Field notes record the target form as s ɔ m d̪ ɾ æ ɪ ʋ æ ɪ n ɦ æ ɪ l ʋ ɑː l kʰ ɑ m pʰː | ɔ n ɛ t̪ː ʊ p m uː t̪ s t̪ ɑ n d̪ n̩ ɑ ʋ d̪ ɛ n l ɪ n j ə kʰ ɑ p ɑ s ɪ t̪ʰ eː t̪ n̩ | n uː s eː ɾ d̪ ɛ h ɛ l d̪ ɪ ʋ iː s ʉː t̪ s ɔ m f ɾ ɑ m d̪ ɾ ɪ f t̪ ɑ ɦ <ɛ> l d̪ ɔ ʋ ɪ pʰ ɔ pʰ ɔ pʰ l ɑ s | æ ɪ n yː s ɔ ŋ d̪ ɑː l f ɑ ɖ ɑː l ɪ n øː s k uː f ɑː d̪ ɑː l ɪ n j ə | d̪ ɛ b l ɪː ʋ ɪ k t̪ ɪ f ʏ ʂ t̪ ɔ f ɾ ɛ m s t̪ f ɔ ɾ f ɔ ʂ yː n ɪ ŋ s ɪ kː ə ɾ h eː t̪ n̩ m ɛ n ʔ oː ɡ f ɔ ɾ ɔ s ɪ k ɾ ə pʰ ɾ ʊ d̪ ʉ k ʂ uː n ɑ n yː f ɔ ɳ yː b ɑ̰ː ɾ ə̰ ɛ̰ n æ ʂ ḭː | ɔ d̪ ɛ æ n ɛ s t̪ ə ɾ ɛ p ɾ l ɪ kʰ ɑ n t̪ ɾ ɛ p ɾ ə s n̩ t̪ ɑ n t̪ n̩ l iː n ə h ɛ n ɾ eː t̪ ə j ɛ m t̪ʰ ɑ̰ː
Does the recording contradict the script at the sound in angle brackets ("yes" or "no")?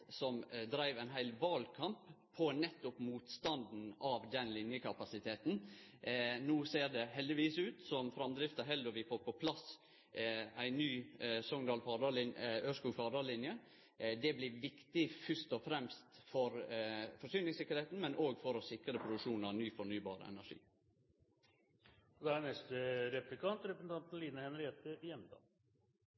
no